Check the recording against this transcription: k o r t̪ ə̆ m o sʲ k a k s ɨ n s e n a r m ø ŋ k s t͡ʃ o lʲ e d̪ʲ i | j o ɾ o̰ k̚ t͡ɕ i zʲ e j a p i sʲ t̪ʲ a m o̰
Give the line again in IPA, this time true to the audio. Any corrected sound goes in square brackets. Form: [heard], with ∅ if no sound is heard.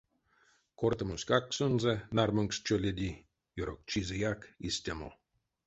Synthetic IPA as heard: k o r t̪ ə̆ m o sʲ k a k s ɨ n [z] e n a r m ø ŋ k s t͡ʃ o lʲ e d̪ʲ i | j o ɾ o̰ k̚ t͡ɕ i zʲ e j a [k] i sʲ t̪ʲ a m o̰